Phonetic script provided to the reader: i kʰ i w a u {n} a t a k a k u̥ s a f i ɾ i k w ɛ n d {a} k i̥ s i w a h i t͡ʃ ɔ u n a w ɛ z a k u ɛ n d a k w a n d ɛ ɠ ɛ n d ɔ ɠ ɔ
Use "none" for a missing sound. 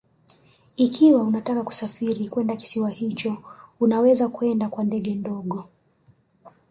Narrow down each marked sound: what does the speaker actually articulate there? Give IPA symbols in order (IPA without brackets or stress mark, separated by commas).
n, a